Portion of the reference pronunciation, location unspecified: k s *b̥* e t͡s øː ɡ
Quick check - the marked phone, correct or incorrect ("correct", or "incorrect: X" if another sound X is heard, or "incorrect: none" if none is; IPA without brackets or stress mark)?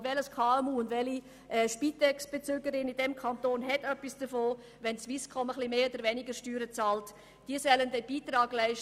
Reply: correct